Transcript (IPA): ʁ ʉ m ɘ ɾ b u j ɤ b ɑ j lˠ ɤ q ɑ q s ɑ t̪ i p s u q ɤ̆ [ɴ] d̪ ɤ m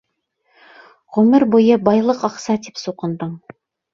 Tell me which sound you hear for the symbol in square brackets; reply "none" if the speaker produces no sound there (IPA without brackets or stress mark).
n